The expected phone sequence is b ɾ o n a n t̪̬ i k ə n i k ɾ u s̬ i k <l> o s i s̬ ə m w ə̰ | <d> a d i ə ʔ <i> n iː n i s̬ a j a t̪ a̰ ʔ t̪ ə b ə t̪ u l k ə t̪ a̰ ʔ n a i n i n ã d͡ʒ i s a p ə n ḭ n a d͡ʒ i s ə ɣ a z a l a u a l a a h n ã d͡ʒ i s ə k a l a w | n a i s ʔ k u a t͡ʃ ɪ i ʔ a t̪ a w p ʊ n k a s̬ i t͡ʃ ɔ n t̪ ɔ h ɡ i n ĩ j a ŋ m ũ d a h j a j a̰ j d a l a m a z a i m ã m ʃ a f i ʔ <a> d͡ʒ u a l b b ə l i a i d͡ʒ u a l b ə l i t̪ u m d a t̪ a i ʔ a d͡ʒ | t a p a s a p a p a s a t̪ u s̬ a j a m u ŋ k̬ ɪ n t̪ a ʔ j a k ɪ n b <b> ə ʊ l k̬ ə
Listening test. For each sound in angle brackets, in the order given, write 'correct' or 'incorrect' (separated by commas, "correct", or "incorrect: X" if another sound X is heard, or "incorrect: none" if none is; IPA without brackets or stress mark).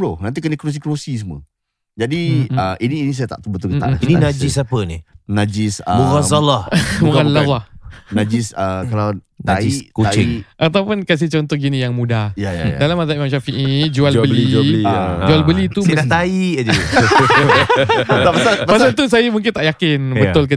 incorrect: ɾ, incorrect: d͡ʒ, correct, incorrect: i, correct